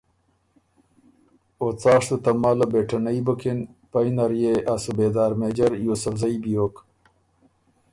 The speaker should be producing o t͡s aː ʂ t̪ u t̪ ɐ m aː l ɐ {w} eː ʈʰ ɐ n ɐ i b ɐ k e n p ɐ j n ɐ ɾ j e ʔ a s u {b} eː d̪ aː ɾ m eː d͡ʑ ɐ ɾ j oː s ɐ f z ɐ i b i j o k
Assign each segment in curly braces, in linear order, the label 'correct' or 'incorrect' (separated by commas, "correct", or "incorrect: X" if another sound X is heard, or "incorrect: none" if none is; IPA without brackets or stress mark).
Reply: incorrect: b, correct